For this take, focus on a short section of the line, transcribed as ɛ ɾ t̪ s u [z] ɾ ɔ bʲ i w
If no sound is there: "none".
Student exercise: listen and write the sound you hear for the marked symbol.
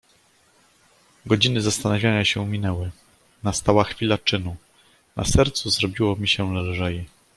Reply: z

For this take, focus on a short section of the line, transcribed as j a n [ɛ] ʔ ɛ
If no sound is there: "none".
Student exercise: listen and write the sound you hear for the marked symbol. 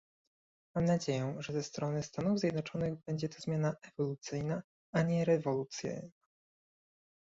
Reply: a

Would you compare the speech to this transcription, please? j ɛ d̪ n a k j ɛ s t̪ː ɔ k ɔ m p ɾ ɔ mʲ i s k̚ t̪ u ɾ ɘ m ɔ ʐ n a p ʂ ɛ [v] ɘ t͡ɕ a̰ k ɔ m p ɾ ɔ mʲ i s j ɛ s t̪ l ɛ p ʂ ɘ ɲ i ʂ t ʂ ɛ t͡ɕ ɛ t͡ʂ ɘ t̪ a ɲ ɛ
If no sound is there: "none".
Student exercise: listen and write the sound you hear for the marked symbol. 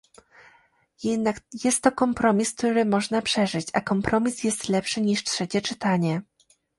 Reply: ʐ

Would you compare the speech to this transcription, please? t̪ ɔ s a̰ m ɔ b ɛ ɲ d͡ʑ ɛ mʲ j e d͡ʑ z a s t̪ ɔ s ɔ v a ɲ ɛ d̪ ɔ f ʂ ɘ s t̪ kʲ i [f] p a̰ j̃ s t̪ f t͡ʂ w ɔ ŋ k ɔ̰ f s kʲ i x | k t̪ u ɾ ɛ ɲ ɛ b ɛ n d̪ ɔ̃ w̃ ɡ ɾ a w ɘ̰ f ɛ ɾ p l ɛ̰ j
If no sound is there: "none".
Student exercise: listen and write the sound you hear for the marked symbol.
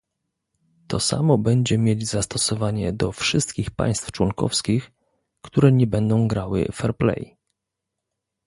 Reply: x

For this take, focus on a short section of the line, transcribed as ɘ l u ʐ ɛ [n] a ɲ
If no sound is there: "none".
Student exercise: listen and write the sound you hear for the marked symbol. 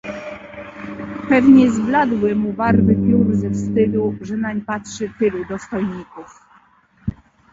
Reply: n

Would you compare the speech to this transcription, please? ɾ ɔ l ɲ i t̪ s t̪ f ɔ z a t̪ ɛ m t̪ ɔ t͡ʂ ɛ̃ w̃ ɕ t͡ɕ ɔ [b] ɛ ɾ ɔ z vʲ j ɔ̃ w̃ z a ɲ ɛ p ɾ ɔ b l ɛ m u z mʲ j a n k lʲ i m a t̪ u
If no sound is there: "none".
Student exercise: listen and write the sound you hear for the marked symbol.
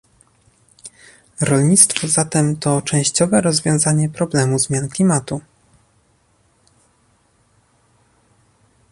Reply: v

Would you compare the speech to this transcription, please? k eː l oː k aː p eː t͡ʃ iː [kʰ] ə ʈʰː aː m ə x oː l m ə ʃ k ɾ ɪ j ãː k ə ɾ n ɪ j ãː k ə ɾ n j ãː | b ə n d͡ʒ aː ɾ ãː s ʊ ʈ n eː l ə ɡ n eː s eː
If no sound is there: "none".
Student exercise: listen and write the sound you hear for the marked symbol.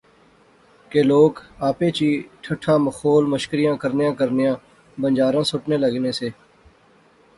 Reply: ʈʰ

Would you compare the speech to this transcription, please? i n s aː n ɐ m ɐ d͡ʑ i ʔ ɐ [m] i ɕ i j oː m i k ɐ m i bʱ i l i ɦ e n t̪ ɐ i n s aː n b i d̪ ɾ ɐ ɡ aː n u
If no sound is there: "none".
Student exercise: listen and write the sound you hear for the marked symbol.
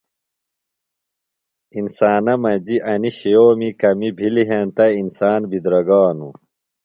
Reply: n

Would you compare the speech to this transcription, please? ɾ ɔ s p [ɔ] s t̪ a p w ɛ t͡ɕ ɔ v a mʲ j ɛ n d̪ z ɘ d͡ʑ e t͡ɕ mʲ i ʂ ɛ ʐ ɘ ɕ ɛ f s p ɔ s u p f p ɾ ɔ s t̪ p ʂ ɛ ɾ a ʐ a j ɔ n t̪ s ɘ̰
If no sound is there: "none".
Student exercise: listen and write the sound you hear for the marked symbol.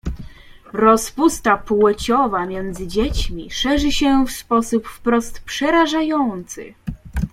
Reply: u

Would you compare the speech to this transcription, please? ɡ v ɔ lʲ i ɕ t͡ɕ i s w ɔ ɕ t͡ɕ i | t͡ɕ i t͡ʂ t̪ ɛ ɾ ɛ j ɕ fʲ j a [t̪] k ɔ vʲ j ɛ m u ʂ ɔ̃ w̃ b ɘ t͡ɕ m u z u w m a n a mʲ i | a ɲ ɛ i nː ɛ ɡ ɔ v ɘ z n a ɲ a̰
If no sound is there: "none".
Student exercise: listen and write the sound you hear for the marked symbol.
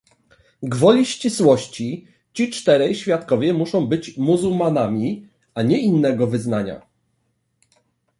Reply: t̪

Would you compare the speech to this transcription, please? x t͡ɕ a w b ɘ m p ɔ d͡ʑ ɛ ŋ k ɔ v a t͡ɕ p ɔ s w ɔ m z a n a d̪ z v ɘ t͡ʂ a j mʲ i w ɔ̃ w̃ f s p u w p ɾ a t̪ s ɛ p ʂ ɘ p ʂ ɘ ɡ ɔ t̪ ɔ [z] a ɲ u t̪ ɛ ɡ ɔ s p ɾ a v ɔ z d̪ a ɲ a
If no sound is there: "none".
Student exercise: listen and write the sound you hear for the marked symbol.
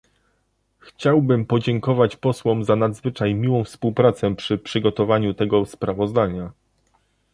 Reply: v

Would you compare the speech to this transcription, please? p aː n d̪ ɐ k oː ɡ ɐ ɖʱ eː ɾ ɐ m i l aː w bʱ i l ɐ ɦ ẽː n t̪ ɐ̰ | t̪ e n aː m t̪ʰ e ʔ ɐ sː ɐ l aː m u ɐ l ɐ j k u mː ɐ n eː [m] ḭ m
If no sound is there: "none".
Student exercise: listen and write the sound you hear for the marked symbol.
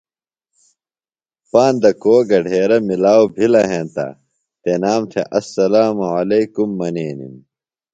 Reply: n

